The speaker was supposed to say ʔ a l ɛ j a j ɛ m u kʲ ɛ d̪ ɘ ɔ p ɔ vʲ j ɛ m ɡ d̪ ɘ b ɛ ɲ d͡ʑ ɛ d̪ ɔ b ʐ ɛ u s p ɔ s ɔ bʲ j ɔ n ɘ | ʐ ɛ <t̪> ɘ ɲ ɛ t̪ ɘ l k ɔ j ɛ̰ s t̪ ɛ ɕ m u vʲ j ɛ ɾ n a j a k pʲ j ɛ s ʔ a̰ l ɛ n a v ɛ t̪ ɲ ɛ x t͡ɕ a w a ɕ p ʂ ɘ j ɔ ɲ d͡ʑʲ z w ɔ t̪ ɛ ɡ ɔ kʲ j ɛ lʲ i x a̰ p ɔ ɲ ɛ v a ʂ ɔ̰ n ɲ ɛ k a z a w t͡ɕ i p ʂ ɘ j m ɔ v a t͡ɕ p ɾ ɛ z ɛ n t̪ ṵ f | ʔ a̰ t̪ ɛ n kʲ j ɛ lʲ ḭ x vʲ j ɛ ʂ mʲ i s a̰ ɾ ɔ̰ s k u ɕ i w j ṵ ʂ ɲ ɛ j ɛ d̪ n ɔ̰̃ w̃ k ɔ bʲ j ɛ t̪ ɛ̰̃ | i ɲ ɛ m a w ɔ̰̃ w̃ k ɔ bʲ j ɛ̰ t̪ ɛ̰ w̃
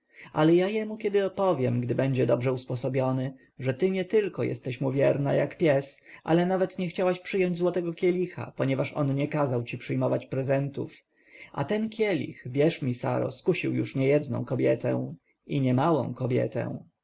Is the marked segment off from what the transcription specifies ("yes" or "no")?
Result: no